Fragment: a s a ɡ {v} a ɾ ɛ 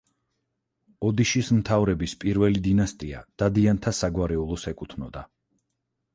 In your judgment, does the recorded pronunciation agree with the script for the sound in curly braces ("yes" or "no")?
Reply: no